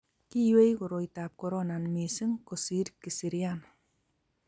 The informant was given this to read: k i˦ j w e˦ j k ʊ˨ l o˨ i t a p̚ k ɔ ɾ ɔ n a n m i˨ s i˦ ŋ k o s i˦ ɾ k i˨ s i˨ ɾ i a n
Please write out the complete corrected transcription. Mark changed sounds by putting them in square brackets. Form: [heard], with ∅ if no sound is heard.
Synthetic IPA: k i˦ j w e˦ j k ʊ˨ [ɾ] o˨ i t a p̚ k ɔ ɾ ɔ n a n m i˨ s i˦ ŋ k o s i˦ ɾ k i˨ s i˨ ɾ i a n